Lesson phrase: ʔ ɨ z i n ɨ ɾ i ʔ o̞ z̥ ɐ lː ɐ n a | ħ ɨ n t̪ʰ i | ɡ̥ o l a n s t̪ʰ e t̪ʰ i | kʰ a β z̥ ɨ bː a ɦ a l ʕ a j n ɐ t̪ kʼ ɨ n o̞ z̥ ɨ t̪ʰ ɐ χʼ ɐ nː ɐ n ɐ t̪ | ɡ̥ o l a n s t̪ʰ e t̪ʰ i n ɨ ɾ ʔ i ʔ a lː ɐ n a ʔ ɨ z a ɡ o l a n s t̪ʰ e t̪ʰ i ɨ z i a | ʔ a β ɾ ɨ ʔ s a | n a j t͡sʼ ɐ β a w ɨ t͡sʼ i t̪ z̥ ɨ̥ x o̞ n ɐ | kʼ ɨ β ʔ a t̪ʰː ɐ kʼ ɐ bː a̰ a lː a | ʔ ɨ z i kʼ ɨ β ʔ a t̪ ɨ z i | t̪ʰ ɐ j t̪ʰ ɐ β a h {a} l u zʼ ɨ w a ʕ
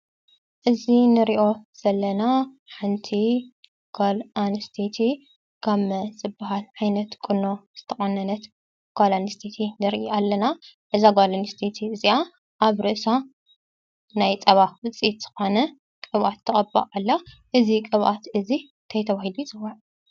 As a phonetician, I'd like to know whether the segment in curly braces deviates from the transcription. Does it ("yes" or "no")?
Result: yes